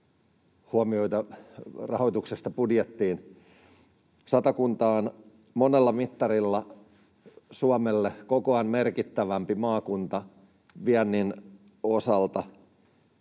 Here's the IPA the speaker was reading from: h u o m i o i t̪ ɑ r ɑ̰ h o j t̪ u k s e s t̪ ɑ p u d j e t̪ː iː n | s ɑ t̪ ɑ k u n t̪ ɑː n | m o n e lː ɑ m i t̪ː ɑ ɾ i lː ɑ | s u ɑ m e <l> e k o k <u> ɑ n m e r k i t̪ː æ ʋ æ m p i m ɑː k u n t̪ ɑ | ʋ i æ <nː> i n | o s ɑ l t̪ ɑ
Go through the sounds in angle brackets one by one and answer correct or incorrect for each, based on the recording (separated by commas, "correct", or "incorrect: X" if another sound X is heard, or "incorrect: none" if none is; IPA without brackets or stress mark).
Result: incorrect: lː, incorrect: o, correct